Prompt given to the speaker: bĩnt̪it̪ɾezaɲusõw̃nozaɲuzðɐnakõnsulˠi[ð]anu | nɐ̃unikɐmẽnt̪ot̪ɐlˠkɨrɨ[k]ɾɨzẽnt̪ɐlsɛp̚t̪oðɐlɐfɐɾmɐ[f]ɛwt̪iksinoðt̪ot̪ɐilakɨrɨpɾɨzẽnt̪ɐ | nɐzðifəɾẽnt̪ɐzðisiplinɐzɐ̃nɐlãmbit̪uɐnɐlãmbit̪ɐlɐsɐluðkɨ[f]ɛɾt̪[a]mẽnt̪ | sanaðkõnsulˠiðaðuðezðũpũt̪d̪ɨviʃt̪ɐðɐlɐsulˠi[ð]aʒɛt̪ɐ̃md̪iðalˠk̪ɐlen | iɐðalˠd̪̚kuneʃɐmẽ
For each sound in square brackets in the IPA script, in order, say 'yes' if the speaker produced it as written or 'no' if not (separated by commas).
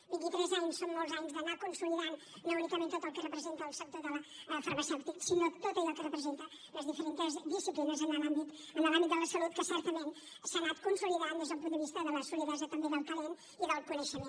yes, no, no, no, no, yes